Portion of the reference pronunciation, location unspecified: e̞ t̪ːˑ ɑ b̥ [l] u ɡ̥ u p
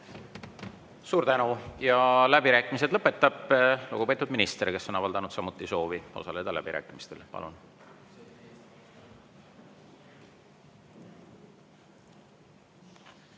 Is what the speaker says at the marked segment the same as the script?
yes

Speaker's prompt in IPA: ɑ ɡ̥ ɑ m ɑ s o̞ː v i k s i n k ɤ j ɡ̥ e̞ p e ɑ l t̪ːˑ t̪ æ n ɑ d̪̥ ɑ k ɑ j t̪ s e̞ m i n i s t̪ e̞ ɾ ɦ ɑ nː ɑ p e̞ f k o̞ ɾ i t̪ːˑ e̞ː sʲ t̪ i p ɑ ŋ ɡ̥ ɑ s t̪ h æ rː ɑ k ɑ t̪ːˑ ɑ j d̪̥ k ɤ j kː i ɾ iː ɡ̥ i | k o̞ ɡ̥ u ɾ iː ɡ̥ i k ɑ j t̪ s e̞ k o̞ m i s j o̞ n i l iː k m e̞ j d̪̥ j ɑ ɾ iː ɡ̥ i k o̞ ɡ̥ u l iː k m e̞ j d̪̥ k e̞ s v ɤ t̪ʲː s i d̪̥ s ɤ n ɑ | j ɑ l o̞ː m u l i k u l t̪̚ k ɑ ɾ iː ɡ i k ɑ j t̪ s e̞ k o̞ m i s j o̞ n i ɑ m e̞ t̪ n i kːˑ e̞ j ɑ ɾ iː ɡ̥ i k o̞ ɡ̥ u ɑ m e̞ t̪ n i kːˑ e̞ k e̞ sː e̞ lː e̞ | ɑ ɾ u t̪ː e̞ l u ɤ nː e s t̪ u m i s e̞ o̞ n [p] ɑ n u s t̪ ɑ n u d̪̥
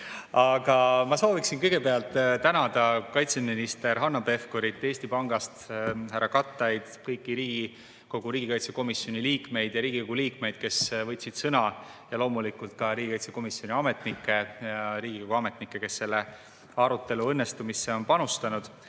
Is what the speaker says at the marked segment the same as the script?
yes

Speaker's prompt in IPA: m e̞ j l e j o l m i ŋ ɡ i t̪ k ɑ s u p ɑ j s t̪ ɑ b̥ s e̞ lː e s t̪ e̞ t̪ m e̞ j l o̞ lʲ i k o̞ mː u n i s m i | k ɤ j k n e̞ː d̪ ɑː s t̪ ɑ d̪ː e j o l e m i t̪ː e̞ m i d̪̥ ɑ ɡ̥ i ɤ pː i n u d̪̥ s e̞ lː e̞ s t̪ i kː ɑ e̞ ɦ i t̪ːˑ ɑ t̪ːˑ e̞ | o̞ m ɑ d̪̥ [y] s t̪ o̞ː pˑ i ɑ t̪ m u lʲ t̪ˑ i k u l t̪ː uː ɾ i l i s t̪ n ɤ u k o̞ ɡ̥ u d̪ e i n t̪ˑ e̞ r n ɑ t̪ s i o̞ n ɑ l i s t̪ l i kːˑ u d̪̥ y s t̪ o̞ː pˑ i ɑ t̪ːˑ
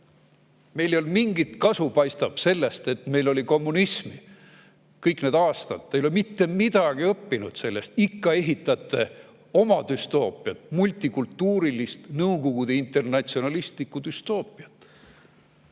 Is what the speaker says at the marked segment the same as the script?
yes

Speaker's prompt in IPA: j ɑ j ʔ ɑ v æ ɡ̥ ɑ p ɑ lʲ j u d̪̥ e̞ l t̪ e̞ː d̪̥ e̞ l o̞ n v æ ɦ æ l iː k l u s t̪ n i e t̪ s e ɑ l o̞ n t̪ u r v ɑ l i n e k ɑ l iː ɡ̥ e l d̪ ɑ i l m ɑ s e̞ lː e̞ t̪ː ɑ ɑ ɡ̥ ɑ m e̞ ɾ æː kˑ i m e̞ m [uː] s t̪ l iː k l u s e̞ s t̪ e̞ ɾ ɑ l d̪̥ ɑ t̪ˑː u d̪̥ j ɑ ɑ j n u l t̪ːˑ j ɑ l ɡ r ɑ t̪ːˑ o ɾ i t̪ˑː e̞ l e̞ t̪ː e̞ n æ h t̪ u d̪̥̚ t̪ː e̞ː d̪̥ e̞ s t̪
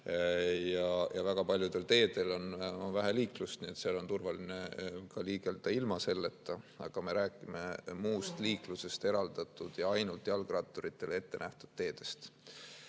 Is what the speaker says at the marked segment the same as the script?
yes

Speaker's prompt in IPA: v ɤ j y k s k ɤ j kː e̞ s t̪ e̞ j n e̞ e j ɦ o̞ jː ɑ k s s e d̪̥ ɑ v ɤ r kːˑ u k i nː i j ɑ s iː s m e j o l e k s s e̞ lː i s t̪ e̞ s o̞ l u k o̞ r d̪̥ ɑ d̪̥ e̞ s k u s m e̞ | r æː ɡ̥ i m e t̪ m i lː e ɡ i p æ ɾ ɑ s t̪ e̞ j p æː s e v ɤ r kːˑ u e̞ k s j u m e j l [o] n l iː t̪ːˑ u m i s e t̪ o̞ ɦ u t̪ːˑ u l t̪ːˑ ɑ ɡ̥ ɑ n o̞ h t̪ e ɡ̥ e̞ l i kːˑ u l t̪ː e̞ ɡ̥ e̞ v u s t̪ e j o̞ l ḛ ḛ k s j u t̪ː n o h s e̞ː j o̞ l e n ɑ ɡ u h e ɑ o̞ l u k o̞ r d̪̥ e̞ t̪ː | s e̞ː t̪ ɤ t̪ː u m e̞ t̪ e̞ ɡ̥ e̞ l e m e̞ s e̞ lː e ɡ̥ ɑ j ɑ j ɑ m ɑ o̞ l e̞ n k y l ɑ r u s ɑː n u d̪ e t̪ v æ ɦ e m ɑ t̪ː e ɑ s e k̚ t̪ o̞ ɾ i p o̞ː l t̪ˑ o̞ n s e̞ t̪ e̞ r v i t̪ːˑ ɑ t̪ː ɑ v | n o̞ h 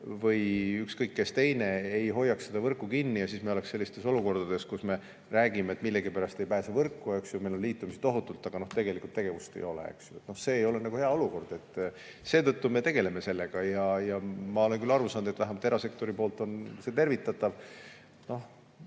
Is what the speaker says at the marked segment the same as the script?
yes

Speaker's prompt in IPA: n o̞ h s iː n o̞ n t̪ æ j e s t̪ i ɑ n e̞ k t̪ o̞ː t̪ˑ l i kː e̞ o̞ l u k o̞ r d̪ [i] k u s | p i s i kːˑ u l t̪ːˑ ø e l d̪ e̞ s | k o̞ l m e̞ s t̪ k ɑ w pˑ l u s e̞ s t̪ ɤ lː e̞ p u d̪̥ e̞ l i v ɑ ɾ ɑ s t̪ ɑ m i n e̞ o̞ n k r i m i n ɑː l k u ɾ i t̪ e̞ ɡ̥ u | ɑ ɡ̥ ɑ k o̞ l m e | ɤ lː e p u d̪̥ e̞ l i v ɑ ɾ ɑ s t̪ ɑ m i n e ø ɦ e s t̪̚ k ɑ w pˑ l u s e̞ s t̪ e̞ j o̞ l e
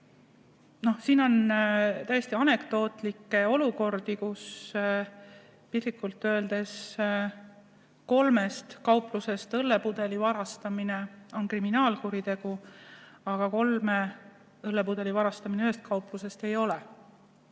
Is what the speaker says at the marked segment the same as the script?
yes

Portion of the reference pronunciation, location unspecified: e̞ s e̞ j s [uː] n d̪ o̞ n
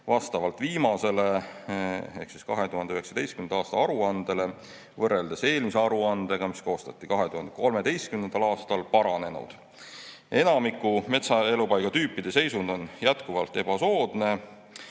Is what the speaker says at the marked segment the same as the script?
no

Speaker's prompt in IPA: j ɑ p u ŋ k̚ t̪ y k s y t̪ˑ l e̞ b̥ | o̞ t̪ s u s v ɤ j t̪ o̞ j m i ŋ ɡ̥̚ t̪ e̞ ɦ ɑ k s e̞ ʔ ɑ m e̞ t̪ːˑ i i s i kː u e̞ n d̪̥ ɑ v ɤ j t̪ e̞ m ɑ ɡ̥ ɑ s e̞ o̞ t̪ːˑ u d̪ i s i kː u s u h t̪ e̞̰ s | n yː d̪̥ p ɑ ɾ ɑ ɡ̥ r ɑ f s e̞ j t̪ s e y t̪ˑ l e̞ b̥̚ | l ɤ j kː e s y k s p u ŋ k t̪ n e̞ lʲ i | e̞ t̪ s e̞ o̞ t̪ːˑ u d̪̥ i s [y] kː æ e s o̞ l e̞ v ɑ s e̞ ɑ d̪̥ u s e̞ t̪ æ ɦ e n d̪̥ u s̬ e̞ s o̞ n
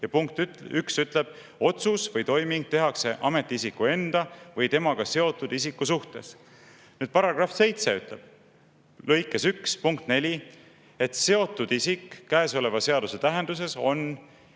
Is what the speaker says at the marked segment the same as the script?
no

